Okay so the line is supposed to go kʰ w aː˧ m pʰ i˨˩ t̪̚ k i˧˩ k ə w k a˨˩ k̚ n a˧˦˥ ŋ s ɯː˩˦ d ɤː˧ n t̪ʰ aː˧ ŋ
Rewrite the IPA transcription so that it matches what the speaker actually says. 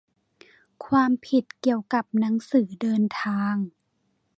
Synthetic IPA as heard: kʰ w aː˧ m pʰ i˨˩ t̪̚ k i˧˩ ə w k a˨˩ p̚ n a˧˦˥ ŋ s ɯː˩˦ d ɤː˧ n t̪ʰ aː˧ ŋ